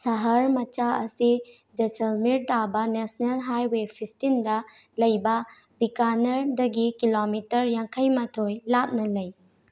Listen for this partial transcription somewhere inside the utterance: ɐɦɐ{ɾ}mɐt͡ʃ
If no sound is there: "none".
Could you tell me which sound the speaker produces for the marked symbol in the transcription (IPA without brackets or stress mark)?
ɾ